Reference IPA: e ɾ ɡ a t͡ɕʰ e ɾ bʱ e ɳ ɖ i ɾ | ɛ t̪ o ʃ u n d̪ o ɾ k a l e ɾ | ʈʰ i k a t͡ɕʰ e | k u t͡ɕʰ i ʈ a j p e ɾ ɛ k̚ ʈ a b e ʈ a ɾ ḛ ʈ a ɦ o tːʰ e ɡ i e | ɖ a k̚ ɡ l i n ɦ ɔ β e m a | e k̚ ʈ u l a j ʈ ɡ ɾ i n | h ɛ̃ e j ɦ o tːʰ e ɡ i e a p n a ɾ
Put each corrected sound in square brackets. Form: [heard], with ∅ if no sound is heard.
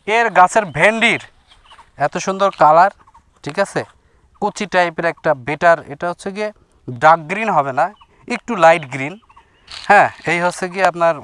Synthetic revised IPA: e ɾ ɡ a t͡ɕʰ e ɾ bʱ e ɳ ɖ i ɾ | ɛ t̪ o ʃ u n d̪ o ɾ k a l [a] ɾ | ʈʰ i k a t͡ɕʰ e | k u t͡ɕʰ i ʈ a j p e ɾ ɛ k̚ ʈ a b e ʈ a ɾ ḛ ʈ a ɦ o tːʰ e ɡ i e | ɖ a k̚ ɡ [ɾ] i n ɦ ɔ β e [n] a | e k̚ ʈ u l a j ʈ ɡ ɾ i n | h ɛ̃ e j ɦ o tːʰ e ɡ i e a p n a ɾ